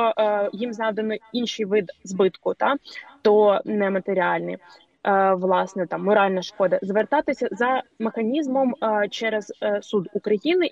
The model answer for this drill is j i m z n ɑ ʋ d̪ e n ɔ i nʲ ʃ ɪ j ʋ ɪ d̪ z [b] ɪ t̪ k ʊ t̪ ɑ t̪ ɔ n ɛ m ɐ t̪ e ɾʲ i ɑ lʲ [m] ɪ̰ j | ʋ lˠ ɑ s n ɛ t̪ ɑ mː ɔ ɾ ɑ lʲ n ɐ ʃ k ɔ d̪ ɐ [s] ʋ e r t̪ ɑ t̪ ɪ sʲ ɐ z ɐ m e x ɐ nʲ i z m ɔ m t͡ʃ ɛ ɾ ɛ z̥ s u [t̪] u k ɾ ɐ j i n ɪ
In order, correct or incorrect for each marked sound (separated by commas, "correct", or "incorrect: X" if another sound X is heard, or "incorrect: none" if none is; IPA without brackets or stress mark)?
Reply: correct, incorrect: n, incorrect: z, incorrect: d̪